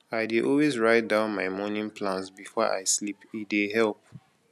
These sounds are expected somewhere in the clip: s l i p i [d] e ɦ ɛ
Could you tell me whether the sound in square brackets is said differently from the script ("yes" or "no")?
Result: no